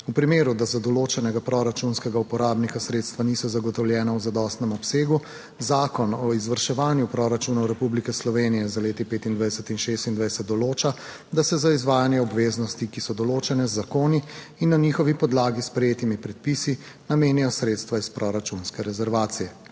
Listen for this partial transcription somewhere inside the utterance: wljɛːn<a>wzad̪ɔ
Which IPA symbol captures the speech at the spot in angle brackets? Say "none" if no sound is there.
a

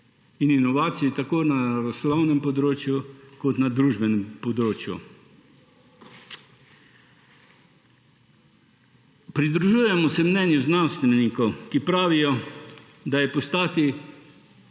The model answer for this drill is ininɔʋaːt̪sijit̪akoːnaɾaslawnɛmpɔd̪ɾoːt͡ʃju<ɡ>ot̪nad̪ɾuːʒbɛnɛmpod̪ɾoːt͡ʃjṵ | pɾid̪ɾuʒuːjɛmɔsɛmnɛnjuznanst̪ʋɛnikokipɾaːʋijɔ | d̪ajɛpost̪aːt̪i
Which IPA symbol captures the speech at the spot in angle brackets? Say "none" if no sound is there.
k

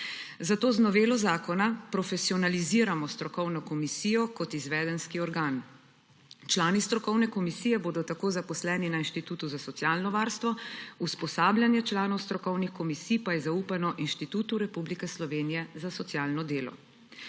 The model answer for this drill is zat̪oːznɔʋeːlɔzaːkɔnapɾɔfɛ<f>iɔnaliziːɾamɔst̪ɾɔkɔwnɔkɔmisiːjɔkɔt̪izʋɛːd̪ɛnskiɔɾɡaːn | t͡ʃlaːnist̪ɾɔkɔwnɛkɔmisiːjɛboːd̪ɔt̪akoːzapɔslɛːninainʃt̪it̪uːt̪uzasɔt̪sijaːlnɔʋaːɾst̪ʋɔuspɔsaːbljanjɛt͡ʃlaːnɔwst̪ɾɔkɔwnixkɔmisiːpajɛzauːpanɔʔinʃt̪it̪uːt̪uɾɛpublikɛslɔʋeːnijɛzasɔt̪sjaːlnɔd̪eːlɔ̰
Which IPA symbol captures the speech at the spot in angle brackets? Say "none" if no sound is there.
s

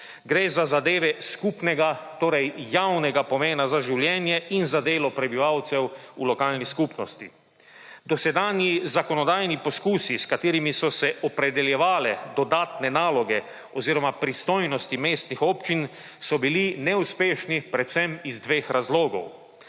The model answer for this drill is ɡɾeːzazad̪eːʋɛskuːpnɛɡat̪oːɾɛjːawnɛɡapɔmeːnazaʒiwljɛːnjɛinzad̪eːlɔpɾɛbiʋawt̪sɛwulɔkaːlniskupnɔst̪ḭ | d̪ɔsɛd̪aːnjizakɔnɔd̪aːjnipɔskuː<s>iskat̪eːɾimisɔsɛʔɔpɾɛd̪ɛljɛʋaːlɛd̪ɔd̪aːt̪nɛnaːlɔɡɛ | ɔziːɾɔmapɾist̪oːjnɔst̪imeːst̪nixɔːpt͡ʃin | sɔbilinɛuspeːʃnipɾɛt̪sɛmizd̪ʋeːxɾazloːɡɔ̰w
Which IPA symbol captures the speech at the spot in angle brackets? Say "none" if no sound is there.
s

